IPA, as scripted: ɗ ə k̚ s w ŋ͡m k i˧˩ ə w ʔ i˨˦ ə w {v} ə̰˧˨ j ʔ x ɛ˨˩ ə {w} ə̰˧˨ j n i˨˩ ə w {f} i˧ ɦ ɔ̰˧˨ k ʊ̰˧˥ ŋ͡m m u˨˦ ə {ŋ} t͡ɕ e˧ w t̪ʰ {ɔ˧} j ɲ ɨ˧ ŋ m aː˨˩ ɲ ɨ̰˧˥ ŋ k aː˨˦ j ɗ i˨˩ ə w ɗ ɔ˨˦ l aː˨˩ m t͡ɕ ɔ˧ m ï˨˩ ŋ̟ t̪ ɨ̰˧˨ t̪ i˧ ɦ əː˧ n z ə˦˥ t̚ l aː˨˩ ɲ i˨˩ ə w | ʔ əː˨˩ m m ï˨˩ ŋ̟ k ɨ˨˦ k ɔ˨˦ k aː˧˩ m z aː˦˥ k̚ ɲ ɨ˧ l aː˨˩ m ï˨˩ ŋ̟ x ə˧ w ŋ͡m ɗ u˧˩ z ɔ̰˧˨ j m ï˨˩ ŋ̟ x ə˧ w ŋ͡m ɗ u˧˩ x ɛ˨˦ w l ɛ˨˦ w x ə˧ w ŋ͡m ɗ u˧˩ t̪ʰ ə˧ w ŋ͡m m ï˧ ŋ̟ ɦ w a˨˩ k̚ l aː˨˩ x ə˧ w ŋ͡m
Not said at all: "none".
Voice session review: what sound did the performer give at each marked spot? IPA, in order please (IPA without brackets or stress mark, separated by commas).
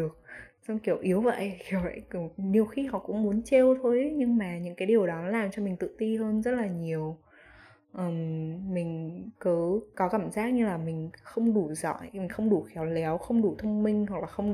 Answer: v, w, x, n, o˧